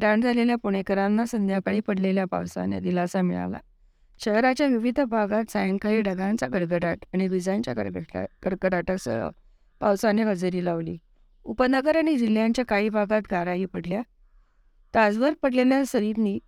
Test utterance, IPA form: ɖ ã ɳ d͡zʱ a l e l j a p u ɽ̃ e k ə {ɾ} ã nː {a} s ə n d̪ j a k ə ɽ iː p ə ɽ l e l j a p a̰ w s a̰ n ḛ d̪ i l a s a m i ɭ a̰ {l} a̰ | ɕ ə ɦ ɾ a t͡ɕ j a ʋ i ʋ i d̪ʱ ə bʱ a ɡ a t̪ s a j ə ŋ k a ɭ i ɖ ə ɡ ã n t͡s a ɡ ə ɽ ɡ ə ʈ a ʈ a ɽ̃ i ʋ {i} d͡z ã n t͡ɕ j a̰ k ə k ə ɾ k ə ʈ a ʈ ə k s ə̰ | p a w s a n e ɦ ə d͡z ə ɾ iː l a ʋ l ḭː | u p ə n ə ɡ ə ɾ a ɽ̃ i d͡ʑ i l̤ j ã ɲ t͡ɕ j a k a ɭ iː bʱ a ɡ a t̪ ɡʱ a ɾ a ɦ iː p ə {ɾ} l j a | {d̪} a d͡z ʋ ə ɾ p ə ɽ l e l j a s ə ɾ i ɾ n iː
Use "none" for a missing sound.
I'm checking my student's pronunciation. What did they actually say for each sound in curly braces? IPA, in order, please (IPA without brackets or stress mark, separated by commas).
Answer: ɾ, a, l, i, ɽ, t̪